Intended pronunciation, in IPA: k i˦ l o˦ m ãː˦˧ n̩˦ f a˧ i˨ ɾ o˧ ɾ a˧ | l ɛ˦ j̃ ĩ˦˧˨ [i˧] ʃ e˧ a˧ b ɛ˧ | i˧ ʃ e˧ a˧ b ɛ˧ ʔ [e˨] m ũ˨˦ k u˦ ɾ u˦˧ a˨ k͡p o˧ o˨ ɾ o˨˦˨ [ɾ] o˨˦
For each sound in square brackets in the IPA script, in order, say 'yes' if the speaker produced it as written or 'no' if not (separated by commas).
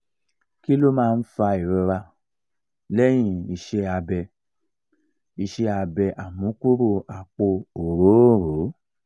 yes, no, yes